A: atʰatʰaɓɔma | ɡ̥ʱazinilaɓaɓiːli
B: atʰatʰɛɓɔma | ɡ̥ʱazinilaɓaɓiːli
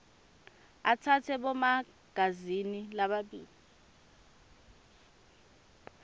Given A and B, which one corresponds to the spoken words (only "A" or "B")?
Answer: B